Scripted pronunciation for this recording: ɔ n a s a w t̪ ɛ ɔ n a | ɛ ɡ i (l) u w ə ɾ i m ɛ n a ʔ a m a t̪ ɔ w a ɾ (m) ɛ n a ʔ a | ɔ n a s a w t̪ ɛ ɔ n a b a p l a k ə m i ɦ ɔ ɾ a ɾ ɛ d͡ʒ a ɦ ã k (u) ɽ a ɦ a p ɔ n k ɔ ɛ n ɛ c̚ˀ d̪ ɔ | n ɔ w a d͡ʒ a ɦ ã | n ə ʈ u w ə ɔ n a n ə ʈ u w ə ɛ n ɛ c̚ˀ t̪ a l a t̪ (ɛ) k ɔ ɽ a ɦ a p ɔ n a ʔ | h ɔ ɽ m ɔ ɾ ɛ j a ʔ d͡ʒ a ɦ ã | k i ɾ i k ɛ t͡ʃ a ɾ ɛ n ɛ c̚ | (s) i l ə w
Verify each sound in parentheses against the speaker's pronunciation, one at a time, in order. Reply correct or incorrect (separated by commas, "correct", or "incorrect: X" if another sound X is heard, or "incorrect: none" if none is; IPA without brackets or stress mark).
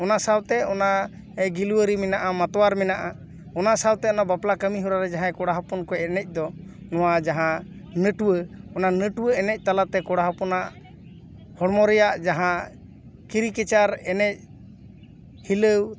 correct, correct, incorrect: ɔ, correct, incorrect: h